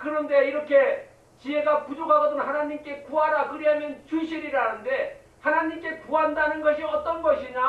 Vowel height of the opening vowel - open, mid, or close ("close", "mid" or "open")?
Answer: close